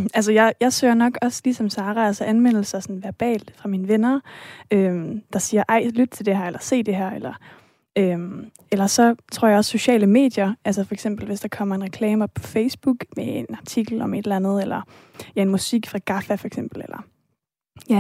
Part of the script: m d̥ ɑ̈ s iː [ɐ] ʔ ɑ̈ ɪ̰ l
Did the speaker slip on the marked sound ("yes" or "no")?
no